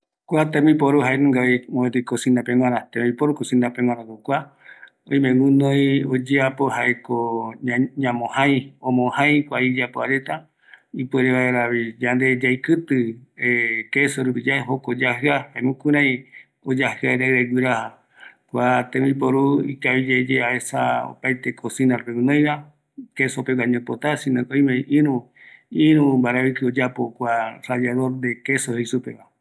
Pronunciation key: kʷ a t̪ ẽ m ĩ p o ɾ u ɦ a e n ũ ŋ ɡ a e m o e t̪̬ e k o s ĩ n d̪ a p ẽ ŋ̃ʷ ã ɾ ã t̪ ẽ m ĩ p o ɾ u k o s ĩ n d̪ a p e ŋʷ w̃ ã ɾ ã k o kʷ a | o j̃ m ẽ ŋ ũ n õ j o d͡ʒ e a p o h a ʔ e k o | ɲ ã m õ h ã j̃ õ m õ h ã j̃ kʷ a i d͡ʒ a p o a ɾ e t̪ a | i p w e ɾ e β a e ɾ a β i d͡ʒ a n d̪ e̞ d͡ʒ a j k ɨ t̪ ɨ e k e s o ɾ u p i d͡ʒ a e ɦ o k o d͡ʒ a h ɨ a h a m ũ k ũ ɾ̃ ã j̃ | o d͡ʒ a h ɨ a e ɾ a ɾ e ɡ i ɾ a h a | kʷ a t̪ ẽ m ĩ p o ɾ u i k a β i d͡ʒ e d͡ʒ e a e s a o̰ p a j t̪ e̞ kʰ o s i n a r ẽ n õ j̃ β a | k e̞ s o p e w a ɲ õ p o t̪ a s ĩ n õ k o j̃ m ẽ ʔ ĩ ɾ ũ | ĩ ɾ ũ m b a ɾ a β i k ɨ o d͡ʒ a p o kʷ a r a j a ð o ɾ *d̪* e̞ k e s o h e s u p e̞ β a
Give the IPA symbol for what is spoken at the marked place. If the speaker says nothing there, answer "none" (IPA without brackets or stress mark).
d̪